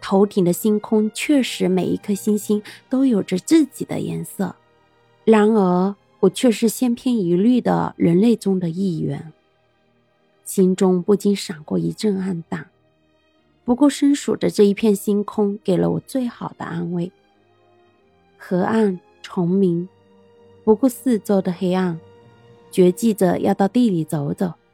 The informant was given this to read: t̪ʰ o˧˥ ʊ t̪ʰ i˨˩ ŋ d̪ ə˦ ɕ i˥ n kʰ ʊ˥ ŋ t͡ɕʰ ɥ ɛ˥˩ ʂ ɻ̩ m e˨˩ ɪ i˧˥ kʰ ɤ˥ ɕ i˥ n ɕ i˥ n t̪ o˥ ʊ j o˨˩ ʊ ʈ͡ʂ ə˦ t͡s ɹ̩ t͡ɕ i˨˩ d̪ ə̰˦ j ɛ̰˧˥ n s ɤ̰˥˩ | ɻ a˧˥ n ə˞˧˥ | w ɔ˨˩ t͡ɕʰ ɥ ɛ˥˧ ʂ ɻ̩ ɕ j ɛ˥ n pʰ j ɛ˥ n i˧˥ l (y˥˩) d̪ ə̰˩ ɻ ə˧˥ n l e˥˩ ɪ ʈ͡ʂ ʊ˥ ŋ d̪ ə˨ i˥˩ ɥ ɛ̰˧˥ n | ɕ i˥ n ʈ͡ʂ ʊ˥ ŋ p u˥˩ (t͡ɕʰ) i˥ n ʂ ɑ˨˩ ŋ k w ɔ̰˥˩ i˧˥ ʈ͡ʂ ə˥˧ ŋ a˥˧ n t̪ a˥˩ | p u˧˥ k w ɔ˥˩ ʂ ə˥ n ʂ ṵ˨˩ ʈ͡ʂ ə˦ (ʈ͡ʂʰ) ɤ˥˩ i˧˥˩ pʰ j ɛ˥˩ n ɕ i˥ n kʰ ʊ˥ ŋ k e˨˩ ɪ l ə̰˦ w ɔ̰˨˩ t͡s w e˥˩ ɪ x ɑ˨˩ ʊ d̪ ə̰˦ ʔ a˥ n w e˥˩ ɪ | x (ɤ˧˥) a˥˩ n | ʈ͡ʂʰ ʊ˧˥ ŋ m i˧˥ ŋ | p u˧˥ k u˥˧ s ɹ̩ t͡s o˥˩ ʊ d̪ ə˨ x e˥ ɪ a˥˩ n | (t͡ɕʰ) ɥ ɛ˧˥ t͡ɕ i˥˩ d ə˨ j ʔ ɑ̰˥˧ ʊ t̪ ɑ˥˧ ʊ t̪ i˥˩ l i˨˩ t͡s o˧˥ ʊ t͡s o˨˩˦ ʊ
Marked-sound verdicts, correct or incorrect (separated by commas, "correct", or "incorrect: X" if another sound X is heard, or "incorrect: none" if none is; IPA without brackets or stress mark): correct, incorrect: t͡ɕ, incorrect: ʈ͡ʂ, correct, incorrect: t͡ɕ